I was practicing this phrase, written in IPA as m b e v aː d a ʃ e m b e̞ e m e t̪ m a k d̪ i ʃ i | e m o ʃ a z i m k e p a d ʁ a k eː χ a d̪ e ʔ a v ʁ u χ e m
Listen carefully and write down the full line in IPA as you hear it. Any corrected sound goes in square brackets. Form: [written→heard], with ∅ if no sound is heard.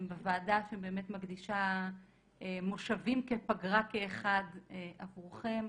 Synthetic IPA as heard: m b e v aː d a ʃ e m b e̞ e m e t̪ m a [k→ɡ] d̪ i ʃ [i→a] | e m o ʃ a [z→v] i m k e p a [d→ɡ] ʁ a k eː χ a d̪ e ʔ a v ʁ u χ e m